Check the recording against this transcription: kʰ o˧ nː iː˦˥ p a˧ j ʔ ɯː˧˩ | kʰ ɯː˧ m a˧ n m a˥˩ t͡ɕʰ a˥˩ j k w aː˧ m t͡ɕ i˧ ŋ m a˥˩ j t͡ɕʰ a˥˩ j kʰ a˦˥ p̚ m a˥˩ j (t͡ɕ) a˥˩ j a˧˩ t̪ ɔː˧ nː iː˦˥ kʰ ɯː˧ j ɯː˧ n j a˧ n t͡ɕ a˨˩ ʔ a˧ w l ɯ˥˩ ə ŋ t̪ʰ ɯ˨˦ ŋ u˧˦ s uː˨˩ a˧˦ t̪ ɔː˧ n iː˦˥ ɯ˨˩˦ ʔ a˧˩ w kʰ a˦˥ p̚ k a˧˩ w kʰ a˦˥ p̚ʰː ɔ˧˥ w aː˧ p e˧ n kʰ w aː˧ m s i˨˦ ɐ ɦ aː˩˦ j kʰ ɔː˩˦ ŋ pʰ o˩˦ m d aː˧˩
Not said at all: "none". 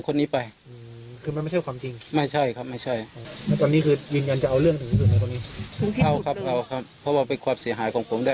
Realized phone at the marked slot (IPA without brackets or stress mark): t͡ɕʰ